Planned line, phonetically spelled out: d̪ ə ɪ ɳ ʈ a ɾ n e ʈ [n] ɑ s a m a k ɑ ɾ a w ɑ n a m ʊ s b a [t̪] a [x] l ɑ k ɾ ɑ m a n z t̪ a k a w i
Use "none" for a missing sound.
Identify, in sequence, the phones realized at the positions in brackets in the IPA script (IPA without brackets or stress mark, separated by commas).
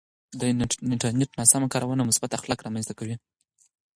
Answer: n, t̪, x